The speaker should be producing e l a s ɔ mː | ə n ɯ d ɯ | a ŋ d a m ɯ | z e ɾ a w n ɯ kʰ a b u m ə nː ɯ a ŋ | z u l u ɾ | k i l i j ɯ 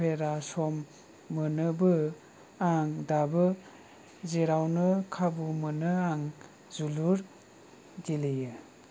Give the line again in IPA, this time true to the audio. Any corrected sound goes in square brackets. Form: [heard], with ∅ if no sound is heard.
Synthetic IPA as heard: e [ɾ] a s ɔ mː | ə n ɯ [b] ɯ | a ŋ d a [b] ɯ | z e ɾ a w n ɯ kʰ a b u m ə [n] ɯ a ŋ | z u l u ɾ | [ɡ] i l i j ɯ